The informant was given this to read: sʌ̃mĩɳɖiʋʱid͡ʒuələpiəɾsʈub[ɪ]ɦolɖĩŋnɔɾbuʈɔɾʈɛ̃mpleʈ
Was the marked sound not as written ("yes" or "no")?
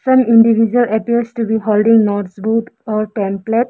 yes